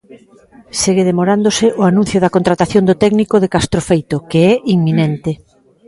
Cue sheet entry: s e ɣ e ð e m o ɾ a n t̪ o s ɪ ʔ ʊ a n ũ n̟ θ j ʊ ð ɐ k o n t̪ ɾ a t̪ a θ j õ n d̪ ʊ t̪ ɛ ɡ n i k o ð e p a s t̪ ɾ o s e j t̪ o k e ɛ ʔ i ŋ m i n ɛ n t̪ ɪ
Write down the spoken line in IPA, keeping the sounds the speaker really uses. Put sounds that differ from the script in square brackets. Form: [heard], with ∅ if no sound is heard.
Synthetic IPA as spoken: s e ɣ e ð e m o ɾ a n [d̪] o s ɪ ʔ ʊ a n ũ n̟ θ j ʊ ð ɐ k o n t̪ ɾ a t̪ a θ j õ n d̪ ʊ t̪ ɛ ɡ n i k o ð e [k] a s t̪ ɾ o [f] e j t̪ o k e ɛ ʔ i ŋ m i n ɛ n t̪ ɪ